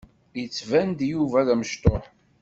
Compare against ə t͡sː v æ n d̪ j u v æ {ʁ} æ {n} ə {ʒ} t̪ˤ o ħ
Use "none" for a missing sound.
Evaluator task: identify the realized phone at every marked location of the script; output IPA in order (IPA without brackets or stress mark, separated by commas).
ð, m, ʃ